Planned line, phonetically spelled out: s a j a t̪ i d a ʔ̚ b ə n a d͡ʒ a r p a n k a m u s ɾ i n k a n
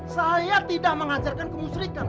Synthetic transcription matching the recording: s a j a t̪ i d a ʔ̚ m ə ŋ a d͡ʒ a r k a n k ə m u s ɾ i k a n